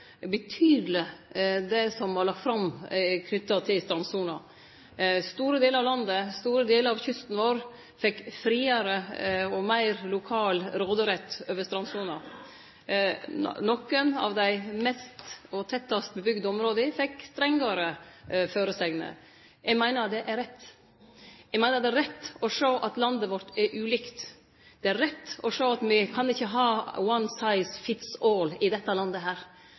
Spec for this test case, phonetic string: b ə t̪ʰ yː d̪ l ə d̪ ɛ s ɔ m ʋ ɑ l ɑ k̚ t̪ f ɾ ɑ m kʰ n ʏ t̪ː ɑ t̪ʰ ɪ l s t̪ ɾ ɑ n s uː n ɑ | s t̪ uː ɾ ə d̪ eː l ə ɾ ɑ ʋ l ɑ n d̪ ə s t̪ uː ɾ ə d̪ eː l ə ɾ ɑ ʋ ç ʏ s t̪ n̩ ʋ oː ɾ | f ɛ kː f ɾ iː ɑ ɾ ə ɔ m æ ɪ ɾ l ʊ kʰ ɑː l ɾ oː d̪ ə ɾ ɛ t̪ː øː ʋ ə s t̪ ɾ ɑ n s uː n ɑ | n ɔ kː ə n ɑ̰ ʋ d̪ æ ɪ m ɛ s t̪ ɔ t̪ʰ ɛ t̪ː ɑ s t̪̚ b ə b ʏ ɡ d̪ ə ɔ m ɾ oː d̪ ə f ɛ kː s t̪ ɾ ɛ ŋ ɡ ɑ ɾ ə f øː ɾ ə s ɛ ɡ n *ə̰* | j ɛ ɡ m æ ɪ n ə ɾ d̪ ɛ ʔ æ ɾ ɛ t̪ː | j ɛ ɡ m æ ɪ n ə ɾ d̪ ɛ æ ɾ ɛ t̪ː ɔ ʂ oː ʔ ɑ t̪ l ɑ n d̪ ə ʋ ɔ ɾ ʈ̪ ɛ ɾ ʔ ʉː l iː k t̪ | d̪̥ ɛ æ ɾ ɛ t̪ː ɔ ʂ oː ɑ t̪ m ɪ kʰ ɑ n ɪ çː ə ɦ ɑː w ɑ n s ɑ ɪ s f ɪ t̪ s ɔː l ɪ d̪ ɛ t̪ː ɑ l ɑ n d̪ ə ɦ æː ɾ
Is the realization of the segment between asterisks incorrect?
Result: no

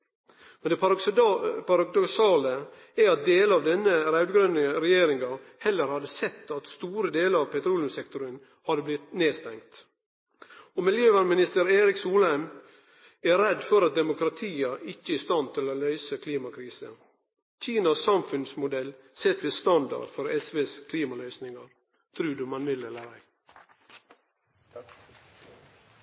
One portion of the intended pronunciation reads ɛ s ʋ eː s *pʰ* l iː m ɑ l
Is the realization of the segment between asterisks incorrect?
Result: yes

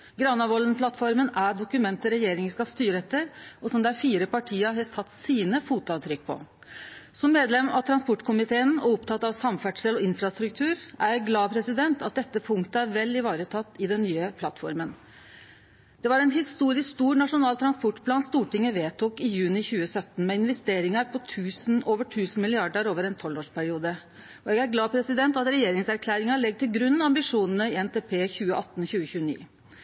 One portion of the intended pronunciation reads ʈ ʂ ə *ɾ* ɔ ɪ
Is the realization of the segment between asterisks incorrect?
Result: yes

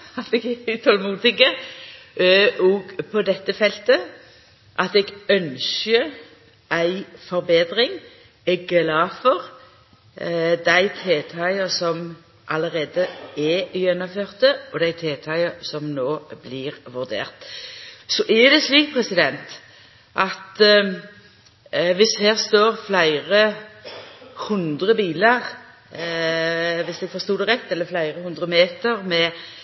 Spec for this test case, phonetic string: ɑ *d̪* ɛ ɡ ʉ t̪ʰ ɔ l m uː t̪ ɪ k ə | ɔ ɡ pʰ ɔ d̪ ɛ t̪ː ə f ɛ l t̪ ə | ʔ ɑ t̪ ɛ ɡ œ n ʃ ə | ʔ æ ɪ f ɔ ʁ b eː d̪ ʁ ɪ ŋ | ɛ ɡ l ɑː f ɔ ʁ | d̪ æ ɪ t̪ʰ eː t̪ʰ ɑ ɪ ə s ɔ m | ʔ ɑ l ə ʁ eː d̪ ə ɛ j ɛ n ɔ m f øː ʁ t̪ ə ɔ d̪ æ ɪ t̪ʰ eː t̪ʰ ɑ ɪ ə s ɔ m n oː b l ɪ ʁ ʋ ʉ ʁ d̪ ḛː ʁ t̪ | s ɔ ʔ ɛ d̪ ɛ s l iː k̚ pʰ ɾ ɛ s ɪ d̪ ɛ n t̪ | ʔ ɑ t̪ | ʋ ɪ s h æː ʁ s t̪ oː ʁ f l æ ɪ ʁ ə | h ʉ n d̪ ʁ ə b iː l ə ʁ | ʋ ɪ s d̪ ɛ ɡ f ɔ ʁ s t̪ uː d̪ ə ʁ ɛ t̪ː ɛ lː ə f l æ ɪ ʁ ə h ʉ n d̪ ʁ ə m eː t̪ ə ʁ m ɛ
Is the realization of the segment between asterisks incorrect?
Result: yes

